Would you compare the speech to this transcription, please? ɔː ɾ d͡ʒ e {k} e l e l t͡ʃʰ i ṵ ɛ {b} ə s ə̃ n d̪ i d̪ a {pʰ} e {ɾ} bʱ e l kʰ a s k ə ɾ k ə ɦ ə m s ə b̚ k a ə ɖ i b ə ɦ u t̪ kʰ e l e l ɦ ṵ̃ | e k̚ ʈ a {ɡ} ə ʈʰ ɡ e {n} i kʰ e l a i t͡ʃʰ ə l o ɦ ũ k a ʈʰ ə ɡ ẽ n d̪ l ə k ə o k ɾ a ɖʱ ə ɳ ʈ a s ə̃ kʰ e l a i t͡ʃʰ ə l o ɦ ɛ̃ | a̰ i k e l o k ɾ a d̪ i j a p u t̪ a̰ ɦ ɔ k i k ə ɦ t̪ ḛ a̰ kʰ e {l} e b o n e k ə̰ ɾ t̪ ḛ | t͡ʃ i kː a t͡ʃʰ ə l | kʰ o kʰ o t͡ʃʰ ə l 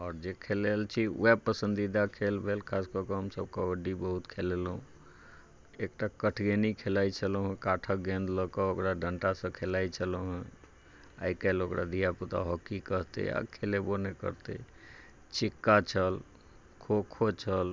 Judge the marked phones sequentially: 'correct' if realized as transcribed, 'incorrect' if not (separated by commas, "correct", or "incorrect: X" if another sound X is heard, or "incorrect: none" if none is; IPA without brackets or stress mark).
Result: incorrect: kʰ, incorrect: p, incorrect: kʰ, incorrect: l, incorrect: k, correct, correct